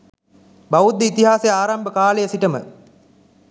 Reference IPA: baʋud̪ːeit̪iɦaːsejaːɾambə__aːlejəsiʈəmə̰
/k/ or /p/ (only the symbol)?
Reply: k